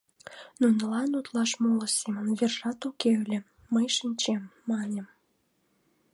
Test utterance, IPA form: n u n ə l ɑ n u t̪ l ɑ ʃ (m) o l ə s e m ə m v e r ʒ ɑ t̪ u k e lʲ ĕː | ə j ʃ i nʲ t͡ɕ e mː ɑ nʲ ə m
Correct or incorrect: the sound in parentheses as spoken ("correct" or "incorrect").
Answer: correct